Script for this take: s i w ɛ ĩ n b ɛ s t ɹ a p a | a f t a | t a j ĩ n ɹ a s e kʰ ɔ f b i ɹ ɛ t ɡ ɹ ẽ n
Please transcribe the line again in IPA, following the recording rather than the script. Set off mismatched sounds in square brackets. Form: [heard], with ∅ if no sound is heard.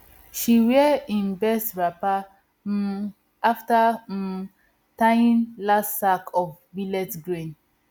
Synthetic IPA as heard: [ʃ] i w ɛ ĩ n b ɛ s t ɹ a p a | a f t a | t a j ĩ n [l] a s [a] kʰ ɔ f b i [l] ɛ t ɡ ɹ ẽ n